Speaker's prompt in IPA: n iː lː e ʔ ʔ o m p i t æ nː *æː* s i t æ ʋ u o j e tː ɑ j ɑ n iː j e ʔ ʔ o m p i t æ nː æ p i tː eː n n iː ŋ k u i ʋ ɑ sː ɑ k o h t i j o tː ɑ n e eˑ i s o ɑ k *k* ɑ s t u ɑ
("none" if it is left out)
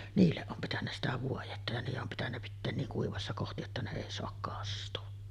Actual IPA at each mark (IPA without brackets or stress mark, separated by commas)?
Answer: æ, k